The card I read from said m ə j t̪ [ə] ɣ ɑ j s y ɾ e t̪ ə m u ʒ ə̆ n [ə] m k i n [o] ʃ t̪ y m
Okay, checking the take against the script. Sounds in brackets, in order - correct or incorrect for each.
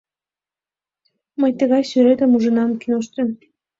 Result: correct, incorrect, correct

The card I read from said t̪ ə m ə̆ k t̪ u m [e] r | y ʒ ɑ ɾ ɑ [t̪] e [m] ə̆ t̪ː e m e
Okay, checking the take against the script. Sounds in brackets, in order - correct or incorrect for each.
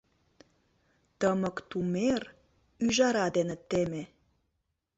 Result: correct, incorrect, incorrect

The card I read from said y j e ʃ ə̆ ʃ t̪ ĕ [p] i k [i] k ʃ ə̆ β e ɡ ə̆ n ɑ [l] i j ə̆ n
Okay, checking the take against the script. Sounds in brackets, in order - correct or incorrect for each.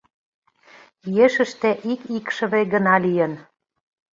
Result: incorrect, correct, correct

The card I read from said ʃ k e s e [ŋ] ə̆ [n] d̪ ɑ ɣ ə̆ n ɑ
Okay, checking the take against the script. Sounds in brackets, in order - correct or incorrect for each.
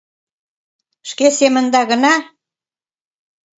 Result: incorrect, correct

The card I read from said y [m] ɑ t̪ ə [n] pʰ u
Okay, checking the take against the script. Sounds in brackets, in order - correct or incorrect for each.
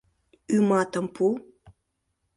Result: correct, incorrect

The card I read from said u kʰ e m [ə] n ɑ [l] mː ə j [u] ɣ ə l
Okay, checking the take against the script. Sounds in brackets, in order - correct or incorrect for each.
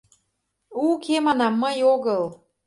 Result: incorrect, incorrect, incorrect

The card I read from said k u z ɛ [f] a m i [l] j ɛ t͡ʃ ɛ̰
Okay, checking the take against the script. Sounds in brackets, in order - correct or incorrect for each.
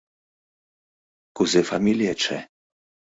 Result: correct, correct

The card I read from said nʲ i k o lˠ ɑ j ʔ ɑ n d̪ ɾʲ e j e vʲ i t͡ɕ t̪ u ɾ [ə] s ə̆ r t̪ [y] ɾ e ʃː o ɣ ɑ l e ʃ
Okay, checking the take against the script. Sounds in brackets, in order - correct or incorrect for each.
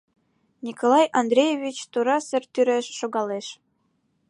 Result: incorrect, correct

